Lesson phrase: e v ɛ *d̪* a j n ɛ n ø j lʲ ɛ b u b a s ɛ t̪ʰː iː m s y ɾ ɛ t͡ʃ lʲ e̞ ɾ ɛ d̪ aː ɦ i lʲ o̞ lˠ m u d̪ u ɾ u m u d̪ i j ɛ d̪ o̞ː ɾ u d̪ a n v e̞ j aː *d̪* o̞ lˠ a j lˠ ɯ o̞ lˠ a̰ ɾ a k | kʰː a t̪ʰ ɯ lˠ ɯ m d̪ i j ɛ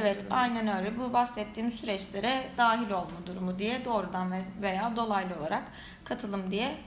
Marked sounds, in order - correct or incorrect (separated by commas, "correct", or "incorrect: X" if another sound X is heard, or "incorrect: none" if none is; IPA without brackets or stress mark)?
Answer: incorrect: t̪, correct